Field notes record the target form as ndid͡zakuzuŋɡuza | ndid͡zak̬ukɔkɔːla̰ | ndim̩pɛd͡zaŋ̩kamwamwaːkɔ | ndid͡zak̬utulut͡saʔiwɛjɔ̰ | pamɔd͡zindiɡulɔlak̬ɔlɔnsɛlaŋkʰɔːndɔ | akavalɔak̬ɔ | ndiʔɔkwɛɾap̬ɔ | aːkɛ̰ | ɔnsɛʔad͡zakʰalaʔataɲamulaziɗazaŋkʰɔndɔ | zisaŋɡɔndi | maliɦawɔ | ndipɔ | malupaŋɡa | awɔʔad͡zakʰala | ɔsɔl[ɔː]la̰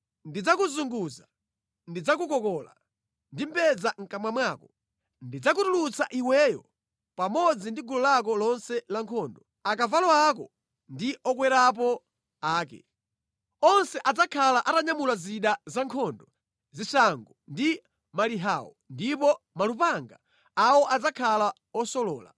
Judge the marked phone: correct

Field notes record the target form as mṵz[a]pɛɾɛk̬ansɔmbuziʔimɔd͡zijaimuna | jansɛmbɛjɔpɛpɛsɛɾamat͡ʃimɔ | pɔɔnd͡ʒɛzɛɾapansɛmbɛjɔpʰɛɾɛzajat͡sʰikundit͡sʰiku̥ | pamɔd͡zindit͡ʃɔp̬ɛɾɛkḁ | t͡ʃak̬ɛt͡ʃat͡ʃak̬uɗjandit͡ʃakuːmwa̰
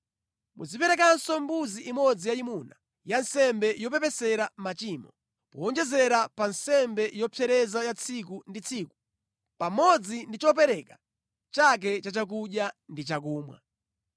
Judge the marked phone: incorrect: i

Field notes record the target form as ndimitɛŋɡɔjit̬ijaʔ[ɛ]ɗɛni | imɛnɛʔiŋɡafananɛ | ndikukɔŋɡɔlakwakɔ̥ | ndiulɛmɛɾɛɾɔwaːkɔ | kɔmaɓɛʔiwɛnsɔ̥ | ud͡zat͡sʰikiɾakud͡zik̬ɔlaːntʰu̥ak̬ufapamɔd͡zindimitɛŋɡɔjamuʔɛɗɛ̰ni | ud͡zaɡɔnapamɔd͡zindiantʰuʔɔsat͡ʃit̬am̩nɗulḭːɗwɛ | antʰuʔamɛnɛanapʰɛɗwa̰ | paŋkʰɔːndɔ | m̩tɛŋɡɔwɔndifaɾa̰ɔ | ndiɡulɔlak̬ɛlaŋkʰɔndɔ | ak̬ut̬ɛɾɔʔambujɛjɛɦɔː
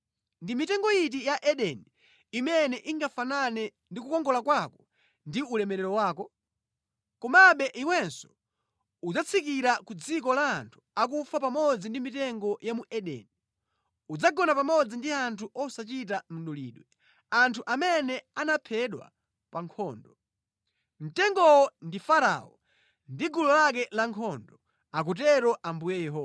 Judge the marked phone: correct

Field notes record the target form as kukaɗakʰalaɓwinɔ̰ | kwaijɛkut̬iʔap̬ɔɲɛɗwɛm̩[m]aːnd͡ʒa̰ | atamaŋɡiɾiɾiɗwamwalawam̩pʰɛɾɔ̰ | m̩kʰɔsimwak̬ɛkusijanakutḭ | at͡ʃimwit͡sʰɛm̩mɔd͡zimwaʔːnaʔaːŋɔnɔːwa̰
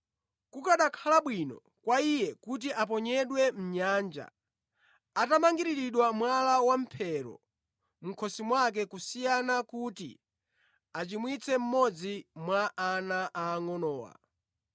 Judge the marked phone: incorrect: ɲ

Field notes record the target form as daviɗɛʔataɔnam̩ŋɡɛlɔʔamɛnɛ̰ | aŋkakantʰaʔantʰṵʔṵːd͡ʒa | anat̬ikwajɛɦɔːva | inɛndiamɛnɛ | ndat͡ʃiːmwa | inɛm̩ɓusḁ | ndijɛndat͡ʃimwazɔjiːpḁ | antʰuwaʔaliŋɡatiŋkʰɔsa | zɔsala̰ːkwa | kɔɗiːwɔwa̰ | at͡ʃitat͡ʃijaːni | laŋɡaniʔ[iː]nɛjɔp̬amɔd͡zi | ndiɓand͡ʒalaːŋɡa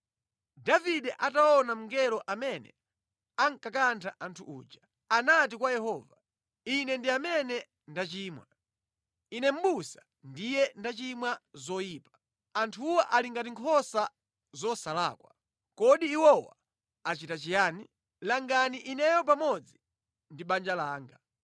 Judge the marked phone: incorrect: i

